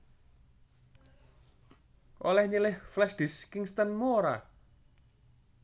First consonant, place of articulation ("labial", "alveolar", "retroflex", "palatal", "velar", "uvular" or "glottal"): glottal